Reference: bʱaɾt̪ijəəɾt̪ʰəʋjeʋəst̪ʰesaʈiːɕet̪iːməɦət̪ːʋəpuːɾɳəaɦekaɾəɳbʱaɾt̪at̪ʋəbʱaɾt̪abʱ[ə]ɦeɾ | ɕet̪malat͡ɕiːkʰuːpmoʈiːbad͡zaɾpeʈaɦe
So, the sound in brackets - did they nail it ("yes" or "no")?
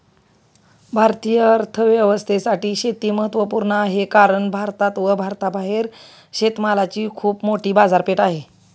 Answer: no